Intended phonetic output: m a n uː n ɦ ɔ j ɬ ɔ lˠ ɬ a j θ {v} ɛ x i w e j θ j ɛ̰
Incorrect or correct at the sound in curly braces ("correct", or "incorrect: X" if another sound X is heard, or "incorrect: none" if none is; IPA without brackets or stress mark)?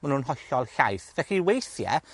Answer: correct